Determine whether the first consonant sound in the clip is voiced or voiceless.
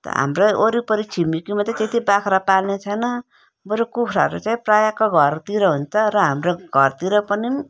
voiceless